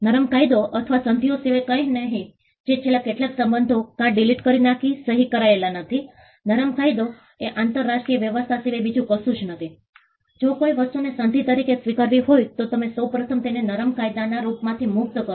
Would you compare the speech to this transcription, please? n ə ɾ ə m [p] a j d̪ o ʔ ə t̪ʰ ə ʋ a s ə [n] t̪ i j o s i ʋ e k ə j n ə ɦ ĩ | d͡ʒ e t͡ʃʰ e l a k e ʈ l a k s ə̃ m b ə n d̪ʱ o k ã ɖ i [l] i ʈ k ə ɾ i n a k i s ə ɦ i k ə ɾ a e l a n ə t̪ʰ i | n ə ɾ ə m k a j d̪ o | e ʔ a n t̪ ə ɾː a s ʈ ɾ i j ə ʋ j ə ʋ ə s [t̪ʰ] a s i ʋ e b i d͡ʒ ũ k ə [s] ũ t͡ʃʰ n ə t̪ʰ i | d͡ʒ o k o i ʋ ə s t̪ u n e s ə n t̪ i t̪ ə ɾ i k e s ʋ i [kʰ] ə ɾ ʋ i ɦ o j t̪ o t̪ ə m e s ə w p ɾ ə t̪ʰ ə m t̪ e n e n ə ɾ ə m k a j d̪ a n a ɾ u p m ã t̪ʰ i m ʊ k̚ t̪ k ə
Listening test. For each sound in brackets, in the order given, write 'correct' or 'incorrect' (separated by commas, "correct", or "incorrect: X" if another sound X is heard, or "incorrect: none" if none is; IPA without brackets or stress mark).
incorrect: k, correct, correct, correct, correct, incorrect: k